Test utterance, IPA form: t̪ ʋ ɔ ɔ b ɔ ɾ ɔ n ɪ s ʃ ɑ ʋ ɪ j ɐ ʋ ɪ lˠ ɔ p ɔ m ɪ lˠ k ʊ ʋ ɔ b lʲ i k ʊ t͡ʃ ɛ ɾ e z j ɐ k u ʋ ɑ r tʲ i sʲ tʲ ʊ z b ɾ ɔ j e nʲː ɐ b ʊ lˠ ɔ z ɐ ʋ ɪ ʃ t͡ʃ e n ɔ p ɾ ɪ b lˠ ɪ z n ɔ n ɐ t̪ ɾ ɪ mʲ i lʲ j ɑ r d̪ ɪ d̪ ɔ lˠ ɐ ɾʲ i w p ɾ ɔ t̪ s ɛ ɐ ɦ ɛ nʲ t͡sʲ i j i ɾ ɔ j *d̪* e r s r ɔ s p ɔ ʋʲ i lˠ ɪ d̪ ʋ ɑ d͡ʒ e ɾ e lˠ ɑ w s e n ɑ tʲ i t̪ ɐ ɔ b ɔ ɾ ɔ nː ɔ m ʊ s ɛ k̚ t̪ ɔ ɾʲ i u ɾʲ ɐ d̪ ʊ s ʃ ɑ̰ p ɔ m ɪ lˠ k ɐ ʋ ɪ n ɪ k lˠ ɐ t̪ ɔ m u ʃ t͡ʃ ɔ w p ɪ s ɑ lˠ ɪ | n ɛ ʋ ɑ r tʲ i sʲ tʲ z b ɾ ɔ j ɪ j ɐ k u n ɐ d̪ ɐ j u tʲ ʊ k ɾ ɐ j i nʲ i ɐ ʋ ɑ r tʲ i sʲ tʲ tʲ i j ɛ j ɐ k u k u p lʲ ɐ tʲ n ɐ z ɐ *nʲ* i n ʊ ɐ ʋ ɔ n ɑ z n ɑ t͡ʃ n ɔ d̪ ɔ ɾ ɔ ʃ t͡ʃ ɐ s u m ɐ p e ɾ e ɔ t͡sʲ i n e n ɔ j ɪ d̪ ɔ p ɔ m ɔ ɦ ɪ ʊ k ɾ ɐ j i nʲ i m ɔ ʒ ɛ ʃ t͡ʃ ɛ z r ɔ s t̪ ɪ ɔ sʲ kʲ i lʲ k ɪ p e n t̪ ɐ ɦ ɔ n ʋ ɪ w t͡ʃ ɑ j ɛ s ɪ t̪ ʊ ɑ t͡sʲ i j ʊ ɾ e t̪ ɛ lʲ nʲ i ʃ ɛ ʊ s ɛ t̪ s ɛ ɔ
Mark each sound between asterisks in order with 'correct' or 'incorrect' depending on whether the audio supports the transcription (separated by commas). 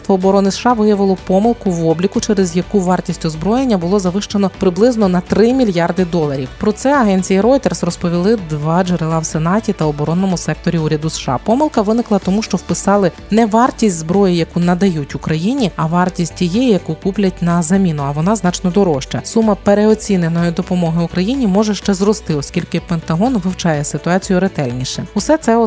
incorrect, incorrect